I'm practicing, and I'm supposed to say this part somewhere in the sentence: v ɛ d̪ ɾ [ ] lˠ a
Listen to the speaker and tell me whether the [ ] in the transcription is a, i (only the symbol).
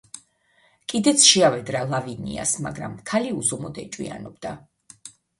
a